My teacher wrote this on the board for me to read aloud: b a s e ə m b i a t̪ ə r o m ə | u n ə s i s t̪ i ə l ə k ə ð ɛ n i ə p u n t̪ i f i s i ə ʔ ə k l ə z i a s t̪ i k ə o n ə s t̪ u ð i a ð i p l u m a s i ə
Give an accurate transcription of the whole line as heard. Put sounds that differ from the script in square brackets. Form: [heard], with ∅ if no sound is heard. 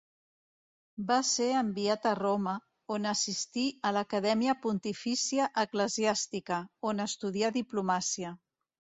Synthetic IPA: b a s e ə m b i a t̪ ə r o m ə | [o] n ə s i s t̪ i ə l ə k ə ð ɛ [m] i ə p u n t̪ i f i s i ə ʔ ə k l ə z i a s t̪ i k ə o n ə s t̪ u ð i a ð i p l u m a s i ə